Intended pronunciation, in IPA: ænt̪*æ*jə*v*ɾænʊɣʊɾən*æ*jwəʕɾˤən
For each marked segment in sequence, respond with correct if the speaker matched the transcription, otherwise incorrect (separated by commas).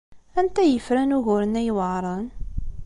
correct, incorrect, correct